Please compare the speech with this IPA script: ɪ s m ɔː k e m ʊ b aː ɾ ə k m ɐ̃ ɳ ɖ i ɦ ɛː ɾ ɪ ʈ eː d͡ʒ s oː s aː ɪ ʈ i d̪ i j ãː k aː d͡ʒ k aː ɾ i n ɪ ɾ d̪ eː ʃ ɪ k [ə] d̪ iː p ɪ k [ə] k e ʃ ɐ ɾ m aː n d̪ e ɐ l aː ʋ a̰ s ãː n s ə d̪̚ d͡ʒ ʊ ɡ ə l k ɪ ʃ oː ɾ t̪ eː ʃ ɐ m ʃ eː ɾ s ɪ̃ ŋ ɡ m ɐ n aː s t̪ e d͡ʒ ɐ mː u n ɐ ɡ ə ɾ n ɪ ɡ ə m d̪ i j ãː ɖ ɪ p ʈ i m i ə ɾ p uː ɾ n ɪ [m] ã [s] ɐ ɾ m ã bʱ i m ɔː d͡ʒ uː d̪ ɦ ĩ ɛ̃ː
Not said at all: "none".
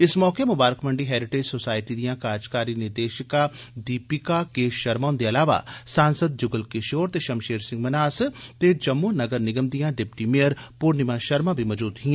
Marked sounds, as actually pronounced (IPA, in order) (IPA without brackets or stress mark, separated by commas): a, a, m, ʃ